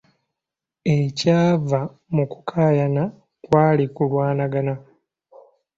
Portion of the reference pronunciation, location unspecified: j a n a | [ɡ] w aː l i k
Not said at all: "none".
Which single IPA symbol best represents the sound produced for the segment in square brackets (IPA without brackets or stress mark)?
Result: k